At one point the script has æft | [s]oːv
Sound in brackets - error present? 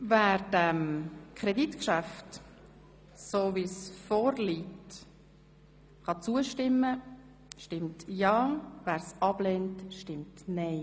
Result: no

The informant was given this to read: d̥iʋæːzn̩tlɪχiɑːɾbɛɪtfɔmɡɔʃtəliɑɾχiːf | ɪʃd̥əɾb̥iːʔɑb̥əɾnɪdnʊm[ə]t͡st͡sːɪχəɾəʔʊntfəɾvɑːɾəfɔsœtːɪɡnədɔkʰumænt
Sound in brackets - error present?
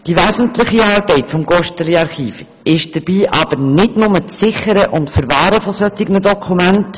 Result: no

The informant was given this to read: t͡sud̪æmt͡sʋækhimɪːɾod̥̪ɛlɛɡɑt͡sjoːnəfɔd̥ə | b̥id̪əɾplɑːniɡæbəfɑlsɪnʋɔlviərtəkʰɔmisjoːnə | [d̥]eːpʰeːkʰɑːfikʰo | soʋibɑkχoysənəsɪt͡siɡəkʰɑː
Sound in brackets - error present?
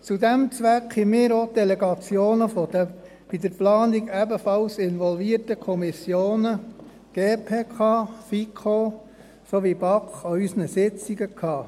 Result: yes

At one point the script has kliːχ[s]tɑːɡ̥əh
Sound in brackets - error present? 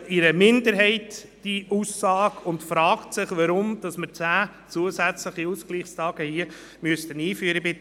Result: no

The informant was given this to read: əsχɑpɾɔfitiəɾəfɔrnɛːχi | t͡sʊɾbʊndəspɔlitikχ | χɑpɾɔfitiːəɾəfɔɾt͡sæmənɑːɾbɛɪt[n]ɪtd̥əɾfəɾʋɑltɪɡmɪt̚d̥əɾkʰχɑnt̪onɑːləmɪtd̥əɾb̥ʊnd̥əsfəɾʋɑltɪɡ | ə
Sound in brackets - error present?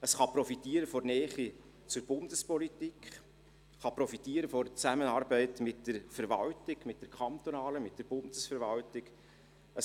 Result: yes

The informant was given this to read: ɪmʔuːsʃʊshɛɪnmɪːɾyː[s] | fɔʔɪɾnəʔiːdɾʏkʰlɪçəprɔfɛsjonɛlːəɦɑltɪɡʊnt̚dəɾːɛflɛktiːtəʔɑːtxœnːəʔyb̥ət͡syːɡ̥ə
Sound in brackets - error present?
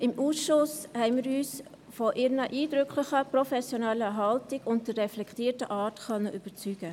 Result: no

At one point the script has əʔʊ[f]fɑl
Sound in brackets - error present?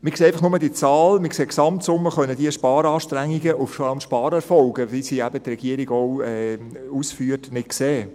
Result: no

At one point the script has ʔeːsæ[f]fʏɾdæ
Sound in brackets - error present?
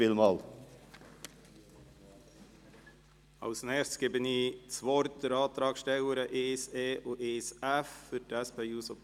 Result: no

